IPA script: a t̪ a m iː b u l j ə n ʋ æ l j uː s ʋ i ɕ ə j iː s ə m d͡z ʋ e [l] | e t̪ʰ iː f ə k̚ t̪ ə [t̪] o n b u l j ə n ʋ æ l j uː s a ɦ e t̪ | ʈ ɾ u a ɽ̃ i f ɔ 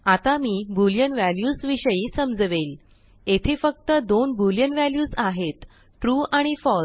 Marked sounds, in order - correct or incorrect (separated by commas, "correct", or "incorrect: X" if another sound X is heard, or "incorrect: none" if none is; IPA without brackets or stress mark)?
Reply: correct, incorrect: d̪